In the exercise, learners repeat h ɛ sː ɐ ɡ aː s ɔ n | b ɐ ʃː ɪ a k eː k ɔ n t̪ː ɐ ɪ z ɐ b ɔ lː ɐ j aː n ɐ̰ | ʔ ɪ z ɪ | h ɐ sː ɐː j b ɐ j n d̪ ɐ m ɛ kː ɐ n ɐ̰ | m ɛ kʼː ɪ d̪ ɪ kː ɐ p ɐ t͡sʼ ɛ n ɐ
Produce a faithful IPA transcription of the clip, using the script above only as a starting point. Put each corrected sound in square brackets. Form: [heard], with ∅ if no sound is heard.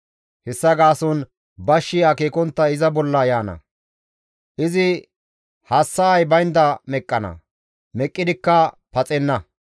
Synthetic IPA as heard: h ɛ sː ɐ ɡ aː s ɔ n | b ɐ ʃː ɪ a k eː k ɔ n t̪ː ɐ ɪ z ɐ b ɔ lː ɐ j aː n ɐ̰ | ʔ ɪ z ɪ | h ɐ sː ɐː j b ɐ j n d̪ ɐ m ɛ [kʼː] ɐ n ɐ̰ | m ɛ kʼː ɪ d̪ ɪ kː ɐ p ɐ t͡sʼ ɛ [nː] ɐ